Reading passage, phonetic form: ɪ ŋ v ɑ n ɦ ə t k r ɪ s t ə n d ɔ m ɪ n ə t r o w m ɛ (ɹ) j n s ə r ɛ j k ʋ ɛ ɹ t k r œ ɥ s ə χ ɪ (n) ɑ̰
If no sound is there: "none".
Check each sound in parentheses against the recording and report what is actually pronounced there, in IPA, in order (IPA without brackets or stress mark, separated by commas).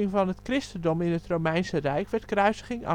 none, ŋ